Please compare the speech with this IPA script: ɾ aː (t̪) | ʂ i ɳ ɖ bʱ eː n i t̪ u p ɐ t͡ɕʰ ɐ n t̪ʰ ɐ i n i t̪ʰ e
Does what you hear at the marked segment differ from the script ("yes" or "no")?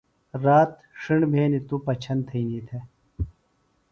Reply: no